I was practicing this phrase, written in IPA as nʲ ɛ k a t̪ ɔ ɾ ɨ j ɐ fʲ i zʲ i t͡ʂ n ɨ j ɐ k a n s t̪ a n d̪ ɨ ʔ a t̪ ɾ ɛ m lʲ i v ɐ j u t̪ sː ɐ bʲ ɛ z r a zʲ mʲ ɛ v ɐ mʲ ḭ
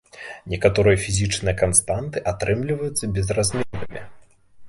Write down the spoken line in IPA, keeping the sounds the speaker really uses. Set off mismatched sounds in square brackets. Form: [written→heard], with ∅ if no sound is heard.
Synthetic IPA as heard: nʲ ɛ k a t̪ ɔ ɾ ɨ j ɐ fʲ i zʲ i t͡ʂ n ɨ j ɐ k a n s t̪ a n [d̪→t̪] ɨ ʔ a t̪ ɾ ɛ m lʲ i v ɐ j u t̪ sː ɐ bʲ ɛ z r a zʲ mʲ ɛ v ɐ mʲ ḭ